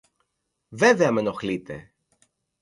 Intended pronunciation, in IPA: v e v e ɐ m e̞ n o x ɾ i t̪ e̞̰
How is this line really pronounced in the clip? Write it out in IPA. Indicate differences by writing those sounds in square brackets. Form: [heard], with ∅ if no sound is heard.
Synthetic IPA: v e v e ɐ m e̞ n o x [l] i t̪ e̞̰